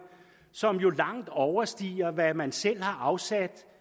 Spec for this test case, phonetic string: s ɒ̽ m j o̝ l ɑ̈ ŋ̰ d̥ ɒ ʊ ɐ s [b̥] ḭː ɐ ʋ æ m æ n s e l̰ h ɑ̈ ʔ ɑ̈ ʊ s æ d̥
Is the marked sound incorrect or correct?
incorrect